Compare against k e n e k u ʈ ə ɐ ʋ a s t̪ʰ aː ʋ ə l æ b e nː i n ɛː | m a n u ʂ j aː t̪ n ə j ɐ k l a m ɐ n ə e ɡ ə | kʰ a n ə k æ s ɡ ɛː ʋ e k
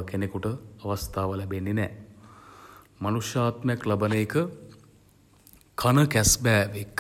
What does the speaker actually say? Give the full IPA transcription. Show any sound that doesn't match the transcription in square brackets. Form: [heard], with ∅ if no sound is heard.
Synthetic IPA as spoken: k e n e k u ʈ ə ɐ ʋ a s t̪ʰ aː ʋ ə l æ b e nː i n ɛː | m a n u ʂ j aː t̪ [m] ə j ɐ k l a [b] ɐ n ə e [k] ə | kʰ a n ə k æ s [b] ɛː ʋ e k